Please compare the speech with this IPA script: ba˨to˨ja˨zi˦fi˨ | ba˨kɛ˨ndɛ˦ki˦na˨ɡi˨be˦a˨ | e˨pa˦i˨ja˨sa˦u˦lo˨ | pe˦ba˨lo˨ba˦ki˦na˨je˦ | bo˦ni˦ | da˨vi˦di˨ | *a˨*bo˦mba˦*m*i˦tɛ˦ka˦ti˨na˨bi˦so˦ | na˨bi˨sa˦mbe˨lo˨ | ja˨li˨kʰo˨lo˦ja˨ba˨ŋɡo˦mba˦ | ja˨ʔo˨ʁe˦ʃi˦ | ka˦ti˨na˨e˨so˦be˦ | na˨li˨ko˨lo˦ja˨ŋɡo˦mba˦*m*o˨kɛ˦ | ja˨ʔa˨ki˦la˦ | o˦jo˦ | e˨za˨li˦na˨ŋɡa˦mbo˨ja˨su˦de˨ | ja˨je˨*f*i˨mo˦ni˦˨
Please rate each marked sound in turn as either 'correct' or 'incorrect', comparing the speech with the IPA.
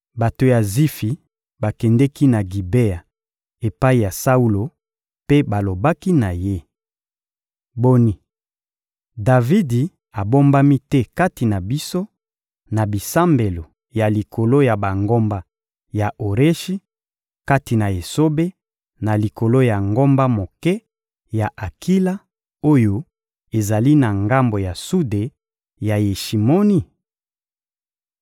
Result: correct, correct, correct, incorrect: ʃ

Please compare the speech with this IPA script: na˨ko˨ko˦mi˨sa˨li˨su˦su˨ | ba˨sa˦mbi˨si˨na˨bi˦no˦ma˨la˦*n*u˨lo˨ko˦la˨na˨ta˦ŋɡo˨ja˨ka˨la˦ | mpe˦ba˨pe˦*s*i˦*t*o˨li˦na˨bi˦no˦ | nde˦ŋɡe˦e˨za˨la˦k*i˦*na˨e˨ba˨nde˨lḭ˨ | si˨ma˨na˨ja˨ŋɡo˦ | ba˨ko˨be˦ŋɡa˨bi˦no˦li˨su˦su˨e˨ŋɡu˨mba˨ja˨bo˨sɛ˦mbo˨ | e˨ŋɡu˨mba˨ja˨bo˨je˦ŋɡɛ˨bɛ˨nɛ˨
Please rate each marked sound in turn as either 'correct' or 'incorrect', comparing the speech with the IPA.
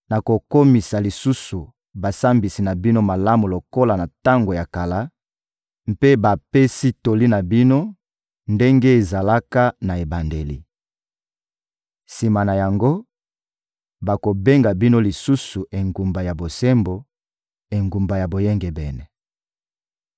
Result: incorrect: m, correct, correct, incorrect: a˦

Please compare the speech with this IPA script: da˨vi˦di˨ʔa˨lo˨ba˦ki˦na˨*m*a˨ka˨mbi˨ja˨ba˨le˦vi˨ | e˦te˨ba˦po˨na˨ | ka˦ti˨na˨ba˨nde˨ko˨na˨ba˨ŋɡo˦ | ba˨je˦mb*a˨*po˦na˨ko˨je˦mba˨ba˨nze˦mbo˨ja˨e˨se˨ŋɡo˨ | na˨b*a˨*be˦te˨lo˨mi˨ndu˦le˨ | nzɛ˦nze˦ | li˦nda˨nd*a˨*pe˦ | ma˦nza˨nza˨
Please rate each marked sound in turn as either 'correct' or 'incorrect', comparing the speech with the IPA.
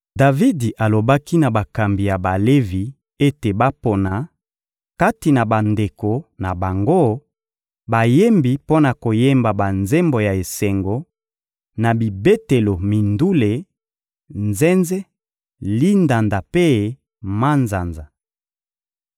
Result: incorrect: b, incorrect: i˨, incorrect: i˨, correct

